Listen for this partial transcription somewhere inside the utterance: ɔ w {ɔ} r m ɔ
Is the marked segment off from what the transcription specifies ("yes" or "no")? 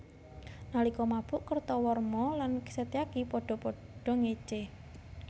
no